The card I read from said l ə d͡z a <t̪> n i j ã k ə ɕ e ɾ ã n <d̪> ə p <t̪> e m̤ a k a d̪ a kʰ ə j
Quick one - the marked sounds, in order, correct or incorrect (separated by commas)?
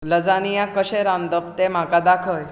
incorrect, correct, correct